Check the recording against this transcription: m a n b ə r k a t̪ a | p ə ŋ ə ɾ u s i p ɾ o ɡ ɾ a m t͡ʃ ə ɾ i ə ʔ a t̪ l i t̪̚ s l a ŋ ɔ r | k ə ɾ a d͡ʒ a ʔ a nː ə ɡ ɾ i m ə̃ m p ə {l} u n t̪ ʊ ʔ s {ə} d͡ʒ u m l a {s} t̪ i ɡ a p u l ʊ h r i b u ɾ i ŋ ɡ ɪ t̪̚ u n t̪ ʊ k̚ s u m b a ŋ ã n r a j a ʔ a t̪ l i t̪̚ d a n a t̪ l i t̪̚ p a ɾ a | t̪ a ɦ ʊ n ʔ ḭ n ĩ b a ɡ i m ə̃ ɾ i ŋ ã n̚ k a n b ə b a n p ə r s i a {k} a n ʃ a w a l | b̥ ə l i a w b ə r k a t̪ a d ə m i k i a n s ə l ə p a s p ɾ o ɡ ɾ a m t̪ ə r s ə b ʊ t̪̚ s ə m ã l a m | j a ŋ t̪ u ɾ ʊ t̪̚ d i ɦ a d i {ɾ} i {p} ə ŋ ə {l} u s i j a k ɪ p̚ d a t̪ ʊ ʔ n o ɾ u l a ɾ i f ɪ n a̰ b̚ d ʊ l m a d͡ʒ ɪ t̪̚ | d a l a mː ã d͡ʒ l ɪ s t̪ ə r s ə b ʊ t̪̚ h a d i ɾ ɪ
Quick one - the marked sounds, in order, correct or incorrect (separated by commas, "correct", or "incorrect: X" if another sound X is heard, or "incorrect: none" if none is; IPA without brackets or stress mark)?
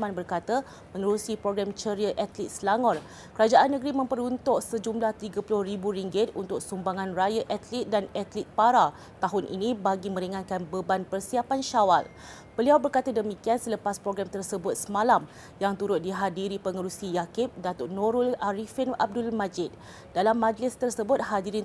incorrect: ɾ, correct, incorrect: h, incorrect: p, correct, correct, incorrect: ɾ